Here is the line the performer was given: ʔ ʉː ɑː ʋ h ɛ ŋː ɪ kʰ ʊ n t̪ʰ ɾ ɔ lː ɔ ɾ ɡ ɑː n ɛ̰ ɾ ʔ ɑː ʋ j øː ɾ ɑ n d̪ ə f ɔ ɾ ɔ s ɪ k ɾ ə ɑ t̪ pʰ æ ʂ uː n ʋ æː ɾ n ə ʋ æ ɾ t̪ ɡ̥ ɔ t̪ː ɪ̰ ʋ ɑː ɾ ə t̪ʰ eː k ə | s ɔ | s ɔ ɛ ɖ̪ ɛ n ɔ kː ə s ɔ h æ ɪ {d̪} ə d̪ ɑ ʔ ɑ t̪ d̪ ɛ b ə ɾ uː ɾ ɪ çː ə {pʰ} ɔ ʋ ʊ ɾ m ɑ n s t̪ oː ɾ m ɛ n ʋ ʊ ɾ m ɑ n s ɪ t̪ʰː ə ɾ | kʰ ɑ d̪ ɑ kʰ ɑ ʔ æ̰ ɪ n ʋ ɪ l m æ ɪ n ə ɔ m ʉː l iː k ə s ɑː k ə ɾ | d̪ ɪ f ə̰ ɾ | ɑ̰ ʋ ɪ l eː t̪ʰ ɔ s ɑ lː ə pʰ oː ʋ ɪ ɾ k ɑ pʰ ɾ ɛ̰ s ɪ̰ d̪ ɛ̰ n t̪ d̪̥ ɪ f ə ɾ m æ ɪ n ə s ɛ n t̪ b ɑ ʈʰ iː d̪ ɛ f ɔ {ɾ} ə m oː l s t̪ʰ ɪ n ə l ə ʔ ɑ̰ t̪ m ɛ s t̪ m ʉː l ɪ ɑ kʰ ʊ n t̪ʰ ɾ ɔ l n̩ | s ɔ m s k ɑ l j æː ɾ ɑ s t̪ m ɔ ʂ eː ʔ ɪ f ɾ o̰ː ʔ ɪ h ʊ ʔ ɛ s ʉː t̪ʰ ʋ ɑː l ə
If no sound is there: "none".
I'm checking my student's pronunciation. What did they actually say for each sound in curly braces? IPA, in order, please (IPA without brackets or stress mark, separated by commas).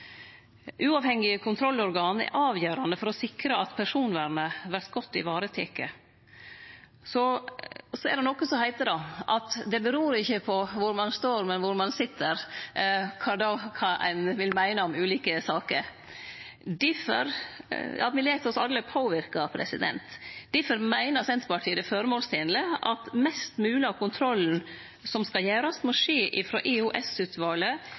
t̪, pʰ, ɾ